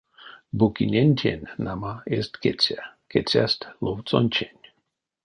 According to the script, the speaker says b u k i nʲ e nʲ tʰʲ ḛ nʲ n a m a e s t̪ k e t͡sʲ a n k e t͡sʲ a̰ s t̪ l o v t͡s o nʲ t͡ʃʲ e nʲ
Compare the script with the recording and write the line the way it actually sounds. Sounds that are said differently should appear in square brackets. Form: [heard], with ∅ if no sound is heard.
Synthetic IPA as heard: b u k i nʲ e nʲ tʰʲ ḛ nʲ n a m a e s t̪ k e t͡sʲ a [∅] k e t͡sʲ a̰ s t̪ l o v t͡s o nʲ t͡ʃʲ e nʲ